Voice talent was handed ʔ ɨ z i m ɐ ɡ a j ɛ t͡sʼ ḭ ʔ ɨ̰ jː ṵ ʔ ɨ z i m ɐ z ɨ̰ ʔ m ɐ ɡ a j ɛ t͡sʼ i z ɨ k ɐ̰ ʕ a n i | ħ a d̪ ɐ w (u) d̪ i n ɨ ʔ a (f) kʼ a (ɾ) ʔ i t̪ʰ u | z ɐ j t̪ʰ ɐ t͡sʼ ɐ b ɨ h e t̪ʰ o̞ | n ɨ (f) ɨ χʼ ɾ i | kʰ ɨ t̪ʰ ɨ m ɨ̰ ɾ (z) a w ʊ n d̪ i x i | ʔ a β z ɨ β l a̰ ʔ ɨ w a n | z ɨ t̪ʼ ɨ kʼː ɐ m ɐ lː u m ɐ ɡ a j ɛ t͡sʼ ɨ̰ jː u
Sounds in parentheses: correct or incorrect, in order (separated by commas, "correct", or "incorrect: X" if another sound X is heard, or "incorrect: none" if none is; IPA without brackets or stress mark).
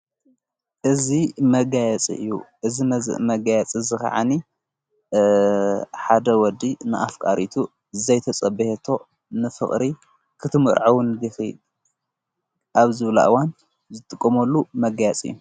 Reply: incorrect: ɔ, correct, correct, correct, incorrect: ʕ